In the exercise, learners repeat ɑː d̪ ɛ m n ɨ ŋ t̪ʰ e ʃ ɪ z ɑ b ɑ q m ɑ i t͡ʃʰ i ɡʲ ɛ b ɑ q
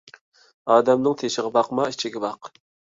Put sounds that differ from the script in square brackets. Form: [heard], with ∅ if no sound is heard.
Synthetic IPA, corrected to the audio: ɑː d̪ ɛ m n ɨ ŋ t̪ʰ e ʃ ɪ [ʁ] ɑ b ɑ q m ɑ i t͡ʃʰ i ɡʲ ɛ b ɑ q